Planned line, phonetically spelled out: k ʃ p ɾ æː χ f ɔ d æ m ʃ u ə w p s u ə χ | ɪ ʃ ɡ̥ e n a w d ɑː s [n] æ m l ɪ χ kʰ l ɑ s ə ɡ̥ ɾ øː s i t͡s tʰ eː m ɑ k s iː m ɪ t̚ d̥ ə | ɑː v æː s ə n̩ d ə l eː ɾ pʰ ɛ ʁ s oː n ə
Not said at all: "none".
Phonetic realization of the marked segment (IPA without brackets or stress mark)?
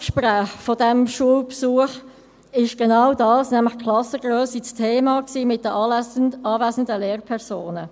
n